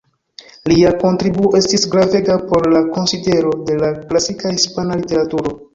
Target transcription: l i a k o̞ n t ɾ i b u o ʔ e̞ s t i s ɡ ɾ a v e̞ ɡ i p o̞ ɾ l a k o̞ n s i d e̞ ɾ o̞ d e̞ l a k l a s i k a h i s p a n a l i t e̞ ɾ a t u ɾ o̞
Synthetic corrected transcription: l i a k o̞ n t ɾ i b u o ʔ e̞ s t i s ɡ ɾ a v e̞ ɡ a p o̞ ɾ l a k o̞ n s i d e̞ ɾ o̞ d e̞ l a k l a s i k a h i s p a n a l i t e̞ ɾ a t u ɾ o̞

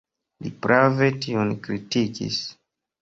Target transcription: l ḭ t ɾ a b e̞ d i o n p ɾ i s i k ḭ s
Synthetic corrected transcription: l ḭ p ɾ a v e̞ t i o n k ɾ i t i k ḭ s

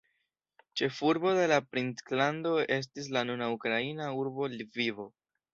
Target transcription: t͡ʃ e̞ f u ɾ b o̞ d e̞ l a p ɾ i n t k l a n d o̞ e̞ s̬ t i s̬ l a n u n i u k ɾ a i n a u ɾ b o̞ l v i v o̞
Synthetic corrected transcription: t͡ʃ e̞ f u ɾ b o̞ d e̞ l a p ɾ i n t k l a n d o̞ e̞ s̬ t i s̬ l a n u n a u k ɾ a i n a u ɾ b o̞ l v i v o̞

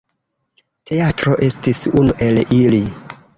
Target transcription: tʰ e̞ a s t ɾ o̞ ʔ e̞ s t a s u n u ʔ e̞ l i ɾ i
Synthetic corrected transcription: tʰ e̞ a t ɾ o̞ ʔ e̞ s t i s u n u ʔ e̞ l i l i

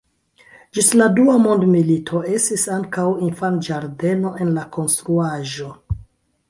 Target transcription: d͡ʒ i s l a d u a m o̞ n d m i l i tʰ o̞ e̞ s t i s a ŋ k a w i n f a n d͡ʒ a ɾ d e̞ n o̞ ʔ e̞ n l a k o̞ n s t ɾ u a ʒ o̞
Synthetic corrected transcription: d͡ʒ i s l a d u a m o̞ n d m i l i tʰ o̞ e̞ s t i s a ŋ k a w i n f a n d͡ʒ a ɾ d e̞ n o̞ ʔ e̞ n l a k o̞ n s t ɾ u a ʒ o̞

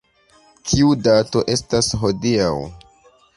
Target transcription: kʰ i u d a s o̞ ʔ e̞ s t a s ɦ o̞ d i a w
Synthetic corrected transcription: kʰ i u d a t o̞ ʔ e̞ s t a s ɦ o̞ d i a w

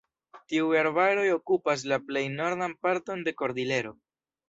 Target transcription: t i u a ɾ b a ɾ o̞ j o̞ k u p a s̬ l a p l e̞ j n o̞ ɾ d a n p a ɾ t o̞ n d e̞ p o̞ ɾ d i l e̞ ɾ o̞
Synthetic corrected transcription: t i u a ɾ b a ɾ o̞ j o̞ k u p a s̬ l a p l e̞ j n o̞ ɾ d a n p a ɾ t o̞ n d e̞ k o̞ ɾ d i l e̞ ɾ o̞

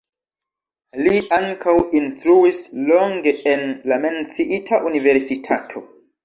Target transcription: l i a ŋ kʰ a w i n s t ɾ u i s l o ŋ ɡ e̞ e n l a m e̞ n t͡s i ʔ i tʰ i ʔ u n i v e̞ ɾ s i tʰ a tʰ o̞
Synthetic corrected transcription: l i a ŋ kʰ a w i n s t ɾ u i s l o ŋ ɡ e̞ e n l a m e̞ n t͡s i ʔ i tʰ a ʔ u n i v e̞ ɾ s i tʰ a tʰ o̞

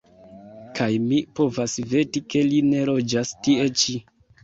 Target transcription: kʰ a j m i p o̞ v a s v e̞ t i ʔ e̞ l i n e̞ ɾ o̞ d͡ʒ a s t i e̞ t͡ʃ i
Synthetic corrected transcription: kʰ a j m i p o̞ v a s v e̞ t i k e̞ l i n e̞ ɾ o̞ d͡ʒ a s t i e̞ t͡ʃ i

